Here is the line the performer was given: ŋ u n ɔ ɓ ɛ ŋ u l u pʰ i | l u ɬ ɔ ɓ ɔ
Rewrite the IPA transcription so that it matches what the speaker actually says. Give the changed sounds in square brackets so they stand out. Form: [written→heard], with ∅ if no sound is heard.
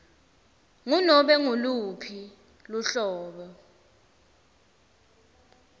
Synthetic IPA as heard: ŋ u n ɔ ɓ ɛ ŋ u l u pʰ i | l u ɬ [ɔ→ɔː] ɓ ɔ